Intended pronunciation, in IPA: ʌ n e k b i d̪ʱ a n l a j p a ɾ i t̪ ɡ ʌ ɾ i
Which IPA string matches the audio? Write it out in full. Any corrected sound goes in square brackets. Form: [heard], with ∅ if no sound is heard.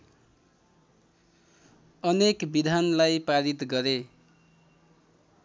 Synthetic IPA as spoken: ʌ n e k b i d̪ʱ a n l a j p a ɾ i t̪ ɡ ʌ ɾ [e]